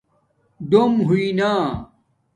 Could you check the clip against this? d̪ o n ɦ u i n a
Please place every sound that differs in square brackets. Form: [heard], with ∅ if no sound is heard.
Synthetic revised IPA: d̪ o [m] ɦ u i n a